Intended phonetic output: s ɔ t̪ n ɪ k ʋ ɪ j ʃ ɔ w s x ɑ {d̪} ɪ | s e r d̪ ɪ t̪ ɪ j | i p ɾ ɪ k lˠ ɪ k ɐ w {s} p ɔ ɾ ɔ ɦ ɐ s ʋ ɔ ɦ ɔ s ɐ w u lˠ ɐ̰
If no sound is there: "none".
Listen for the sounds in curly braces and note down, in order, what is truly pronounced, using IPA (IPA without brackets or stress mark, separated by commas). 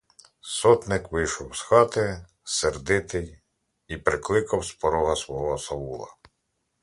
t̪, s